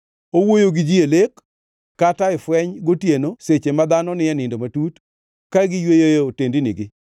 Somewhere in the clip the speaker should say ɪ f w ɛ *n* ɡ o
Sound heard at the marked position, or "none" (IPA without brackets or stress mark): ɲ